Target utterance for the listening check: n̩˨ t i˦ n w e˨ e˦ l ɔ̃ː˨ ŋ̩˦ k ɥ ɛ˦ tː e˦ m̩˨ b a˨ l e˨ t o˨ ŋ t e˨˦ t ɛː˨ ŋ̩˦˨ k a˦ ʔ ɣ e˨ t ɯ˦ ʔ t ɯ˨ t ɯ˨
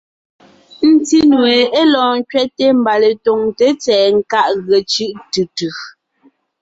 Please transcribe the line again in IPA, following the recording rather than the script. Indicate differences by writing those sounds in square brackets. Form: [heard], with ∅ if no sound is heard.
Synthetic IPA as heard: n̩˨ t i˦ n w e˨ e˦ l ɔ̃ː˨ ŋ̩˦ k ɥ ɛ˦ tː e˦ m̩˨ b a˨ l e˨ t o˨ ŋ t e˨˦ [t͡s] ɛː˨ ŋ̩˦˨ k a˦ ʔ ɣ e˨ [t͡ʃ] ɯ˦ ʔ t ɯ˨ t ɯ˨